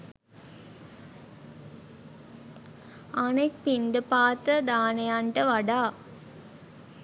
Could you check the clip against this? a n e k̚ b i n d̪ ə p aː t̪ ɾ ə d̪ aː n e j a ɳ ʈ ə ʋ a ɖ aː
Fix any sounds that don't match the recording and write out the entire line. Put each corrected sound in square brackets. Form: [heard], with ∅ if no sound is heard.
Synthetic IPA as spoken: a n e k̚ [p] i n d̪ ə p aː t̪ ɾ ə d̪ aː n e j a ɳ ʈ ə ʋ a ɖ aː